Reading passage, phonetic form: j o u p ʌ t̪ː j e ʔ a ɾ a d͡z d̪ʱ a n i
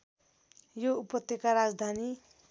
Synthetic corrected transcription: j o u p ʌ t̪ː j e k a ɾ a d͡z d̪ʱ a n i